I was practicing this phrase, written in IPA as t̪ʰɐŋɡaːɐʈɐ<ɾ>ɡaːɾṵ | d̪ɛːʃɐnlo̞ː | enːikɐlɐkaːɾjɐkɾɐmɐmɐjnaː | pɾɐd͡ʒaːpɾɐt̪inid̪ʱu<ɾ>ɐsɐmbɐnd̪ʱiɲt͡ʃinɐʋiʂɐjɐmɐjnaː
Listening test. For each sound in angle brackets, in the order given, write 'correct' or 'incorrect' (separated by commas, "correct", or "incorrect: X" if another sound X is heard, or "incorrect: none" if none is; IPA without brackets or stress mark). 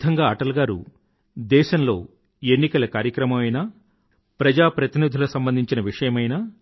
incorrect: l, incorrect: l